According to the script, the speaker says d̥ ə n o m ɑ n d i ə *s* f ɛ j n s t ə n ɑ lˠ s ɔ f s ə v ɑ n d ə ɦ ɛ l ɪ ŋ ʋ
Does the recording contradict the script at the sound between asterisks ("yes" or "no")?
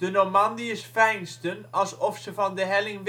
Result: no